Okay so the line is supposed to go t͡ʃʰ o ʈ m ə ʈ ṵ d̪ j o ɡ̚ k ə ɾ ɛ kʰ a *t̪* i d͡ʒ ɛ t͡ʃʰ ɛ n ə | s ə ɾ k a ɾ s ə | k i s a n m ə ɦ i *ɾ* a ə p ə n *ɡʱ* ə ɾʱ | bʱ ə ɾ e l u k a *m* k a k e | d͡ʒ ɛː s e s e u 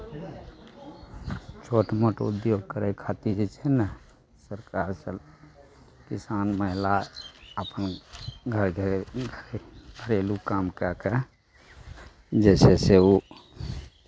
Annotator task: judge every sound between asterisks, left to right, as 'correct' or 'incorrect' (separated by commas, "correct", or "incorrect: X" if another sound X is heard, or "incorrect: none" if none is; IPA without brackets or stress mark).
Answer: correct, incorrect: l, correct, correct